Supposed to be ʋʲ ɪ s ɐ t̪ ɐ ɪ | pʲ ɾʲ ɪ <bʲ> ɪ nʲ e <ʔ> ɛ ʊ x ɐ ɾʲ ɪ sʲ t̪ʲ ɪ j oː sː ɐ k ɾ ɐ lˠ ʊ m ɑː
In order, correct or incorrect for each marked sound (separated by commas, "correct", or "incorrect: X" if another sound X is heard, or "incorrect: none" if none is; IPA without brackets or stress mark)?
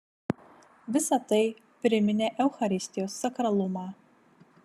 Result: incorrect: mʲ, correct